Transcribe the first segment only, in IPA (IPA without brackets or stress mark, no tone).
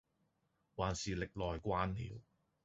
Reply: w